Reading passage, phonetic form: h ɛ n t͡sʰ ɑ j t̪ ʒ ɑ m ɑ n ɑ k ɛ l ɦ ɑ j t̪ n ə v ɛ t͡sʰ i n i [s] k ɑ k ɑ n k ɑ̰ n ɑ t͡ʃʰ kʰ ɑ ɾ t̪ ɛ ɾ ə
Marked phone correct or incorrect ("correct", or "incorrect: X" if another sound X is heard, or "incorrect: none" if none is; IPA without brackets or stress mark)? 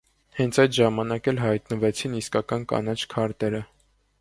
correct